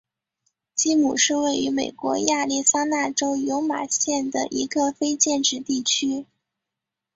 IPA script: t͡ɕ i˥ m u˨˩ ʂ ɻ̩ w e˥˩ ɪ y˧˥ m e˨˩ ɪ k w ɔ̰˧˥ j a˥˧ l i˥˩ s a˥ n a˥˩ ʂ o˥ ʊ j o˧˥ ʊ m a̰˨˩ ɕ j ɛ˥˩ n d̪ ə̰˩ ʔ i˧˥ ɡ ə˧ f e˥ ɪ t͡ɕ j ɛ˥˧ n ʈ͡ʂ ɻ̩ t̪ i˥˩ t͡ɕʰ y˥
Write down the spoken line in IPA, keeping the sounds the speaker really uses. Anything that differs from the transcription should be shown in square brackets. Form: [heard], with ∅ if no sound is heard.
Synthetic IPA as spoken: t͡ɕ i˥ m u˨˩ ʂ ɻ̩ w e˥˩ ɪ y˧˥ m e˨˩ ɪ k w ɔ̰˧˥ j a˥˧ l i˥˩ s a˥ n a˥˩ [ʈ͡ʂ] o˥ ʊ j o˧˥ ʊ m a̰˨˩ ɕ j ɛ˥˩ n d̪ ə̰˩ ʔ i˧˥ ɡ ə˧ f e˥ ɪ t͡ɕ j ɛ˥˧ n ʈ͡ʂ ɻ̩ t̪ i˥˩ t͡ɕʰ y˥